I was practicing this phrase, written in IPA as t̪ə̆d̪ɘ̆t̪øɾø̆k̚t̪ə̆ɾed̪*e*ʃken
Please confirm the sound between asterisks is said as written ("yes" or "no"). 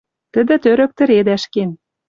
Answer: no